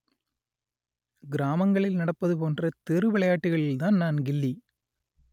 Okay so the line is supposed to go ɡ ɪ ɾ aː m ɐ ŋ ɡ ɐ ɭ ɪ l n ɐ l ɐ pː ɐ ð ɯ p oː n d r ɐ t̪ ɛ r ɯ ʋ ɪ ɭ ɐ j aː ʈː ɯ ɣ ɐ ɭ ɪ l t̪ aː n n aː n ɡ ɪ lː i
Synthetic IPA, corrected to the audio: ɡ ɪ ɾ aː m ɐ ŋ ɡ ɐ ɭ ɪ l n ɐ ɽ ɐ pː ɐ ð ɯ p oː n d r ɐ t̪ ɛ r ɯ ʋ ɪ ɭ ɐ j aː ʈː ɯ ɣ ɐ ɭ ɪ l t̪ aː n n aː n ɡ ɪ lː i